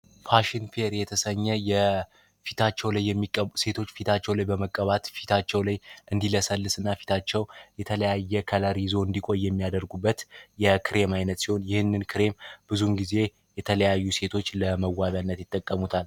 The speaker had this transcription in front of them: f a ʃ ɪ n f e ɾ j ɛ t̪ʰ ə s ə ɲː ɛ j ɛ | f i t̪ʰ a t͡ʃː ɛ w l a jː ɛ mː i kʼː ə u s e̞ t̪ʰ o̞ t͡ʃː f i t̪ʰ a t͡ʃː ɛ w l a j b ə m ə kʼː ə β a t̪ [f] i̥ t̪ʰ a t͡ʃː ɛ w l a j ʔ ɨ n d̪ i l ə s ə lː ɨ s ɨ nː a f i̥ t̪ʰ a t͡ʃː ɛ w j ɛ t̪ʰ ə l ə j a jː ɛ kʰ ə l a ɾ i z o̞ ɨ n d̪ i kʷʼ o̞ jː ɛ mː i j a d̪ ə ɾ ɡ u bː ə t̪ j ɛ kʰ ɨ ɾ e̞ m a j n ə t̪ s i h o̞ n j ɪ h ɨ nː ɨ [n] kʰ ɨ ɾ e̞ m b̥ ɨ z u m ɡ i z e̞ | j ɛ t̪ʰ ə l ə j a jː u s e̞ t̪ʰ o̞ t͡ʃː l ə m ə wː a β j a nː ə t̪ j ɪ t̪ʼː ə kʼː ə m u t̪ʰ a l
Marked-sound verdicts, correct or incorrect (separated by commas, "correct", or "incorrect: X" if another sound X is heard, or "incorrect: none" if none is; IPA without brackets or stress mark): correct, correct